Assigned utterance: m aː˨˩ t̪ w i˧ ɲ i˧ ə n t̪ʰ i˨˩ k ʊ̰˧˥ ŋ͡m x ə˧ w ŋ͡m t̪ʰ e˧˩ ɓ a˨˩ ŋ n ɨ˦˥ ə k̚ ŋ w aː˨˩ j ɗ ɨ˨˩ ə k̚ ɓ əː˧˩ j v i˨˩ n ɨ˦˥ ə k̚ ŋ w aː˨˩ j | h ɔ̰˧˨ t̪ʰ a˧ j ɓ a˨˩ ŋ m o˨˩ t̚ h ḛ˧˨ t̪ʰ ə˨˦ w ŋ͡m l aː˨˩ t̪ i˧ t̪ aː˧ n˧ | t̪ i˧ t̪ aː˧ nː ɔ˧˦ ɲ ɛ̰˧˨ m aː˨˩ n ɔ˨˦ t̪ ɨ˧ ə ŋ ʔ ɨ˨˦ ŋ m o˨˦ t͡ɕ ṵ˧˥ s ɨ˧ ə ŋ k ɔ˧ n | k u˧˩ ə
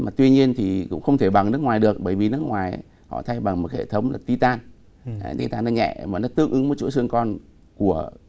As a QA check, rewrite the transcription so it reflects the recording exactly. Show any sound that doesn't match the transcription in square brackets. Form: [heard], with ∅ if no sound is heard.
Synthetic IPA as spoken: m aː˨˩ t̪ w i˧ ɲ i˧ ə n t̪ʰ i˨˩ k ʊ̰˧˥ ŋ͡m x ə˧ w ŋ͡m t̪ʰ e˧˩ ɓ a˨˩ ŋ n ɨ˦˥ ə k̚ ŋ w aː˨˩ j ɗ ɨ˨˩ ə k̚ ɓ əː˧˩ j v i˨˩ n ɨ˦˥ ə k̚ ŋ w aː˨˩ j | h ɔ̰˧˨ t̪ʰ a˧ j ɓ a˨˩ ŋ m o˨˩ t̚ h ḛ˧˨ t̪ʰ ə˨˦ w ŋ͡m l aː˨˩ t̪ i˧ t̪ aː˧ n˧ | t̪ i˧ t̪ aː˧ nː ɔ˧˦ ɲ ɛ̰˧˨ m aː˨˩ n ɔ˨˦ t̪ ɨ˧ ə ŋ ʔ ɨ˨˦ ŋ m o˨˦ t͡ɕ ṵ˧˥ s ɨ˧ ə ŋ k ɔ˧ n | k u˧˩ ə